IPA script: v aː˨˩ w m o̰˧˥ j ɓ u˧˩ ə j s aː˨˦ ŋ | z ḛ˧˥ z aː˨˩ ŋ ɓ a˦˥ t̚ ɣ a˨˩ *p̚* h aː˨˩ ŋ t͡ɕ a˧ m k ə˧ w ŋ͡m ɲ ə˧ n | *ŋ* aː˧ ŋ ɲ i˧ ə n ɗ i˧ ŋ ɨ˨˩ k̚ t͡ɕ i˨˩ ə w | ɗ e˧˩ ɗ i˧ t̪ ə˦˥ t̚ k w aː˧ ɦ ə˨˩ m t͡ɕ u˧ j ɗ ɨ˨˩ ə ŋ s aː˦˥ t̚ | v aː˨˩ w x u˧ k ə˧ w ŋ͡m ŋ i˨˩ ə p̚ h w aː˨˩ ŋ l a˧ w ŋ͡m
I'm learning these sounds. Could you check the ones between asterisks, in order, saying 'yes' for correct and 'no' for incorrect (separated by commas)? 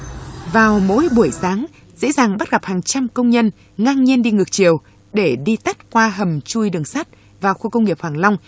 yes, yes